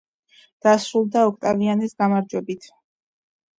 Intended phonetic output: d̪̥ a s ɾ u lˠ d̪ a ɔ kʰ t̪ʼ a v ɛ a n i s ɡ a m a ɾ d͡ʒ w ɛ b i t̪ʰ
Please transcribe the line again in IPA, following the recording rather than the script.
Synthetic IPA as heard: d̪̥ a s ɾ u lˠ d̪ a ɔ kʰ t̪ʼ a v i a n i s ɡ a m a ɾ d͡ʒ w ɛ b i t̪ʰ